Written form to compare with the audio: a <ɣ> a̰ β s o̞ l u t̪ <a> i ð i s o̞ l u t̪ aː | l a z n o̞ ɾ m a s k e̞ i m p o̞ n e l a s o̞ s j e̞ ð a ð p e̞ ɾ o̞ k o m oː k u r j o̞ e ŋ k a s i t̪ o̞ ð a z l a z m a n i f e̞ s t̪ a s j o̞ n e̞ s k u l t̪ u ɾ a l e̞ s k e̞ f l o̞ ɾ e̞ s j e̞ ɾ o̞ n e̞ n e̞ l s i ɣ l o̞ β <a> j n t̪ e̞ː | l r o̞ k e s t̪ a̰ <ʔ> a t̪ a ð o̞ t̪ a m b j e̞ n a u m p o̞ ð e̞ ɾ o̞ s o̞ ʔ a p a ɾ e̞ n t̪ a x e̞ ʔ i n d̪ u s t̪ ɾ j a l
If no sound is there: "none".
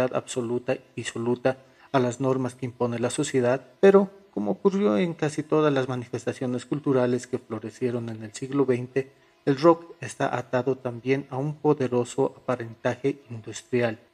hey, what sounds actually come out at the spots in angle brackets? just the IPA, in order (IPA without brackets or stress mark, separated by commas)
ð, a, e, ʔ